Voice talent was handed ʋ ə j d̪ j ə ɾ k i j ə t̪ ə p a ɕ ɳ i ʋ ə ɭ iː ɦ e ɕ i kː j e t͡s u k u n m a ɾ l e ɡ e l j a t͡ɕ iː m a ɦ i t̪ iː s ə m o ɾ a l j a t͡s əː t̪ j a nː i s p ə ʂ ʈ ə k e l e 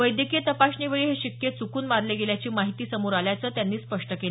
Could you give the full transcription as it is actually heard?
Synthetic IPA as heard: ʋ ə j d̪ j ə k i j ə t̪ ə p a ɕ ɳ i ʋ ə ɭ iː ɦ e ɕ i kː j e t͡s u k uː n m a ɾ l e ɡ e l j a t͡ɕ iː m a ɦ i t̪ iː s ə m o ɾ a l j a t͡s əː t̪ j a nː iː s p ə ʂ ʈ ə k e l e